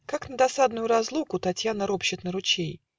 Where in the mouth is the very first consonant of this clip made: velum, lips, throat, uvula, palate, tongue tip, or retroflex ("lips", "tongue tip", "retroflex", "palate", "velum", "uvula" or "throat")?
velum